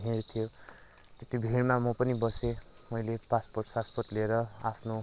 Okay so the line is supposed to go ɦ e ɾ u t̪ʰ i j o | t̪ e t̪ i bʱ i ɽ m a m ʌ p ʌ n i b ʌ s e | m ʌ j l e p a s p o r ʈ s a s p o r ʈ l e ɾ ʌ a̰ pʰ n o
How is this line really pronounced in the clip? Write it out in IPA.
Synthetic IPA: ɦ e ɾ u t̪ʰ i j o | t̪ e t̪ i bʱ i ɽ m a m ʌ p ʌ n i b ʌ s e | m ʌ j l e p a s p o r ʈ s a s p o r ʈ l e ɾ ʌ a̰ pʰ n o